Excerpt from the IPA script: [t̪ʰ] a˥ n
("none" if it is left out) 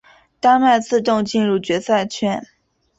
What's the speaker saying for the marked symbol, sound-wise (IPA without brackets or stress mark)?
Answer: t̪